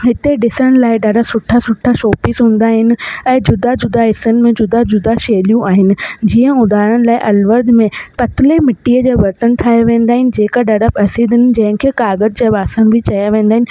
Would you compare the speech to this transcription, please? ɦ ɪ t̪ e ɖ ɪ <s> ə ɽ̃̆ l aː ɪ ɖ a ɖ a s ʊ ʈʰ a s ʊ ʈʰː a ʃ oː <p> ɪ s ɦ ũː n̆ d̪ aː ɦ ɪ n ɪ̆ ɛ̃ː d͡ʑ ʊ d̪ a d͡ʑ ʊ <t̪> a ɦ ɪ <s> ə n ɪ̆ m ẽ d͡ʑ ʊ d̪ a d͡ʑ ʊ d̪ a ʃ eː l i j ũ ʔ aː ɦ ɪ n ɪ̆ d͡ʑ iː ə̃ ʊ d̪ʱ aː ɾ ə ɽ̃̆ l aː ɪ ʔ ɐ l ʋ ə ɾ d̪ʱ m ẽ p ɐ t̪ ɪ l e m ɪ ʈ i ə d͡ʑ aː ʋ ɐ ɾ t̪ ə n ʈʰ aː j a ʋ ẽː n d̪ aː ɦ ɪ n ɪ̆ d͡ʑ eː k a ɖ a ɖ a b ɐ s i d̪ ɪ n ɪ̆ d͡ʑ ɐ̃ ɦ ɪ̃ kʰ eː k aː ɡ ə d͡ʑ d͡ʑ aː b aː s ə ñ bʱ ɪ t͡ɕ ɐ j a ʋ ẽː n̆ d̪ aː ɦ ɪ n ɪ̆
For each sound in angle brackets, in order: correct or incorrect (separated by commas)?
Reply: correct, correct, incorrect, correct